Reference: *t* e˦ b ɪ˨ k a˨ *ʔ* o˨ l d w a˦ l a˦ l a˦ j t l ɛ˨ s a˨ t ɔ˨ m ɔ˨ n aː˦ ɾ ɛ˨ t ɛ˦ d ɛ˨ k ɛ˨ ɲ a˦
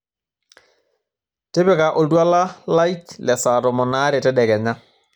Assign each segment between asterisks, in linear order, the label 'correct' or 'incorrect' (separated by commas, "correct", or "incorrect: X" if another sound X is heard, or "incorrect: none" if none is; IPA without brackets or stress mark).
correct, correct